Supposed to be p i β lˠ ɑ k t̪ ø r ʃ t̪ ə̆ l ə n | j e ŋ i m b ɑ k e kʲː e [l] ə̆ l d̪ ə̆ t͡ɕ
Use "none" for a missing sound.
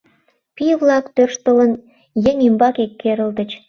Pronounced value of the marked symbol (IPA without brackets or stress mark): ɾ